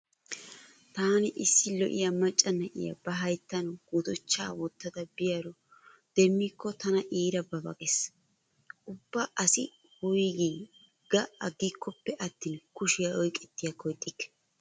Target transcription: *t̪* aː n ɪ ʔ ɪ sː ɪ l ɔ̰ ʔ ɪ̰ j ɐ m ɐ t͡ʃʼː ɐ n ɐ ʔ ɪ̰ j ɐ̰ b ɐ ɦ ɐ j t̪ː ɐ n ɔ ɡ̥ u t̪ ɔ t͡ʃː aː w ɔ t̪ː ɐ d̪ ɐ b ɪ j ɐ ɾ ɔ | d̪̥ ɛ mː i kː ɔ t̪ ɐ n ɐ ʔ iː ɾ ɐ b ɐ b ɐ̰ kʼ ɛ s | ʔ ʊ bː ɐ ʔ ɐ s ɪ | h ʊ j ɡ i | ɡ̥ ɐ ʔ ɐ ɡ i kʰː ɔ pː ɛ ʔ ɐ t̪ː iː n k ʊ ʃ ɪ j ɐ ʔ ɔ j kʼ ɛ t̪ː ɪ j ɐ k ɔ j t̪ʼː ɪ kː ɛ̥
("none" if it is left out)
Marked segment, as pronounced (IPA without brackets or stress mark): t̪